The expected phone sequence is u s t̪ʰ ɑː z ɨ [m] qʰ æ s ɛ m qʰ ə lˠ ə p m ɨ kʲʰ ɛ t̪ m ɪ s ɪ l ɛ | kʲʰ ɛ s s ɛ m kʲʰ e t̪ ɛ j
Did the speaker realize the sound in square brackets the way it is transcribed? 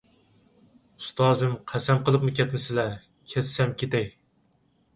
yes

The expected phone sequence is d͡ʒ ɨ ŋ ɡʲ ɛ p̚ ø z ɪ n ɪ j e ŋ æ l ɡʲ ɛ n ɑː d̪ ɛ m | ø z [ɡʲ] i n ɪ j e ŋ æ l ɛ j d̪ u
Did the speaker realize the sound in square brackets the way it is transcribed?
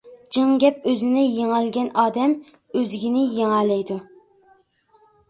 yes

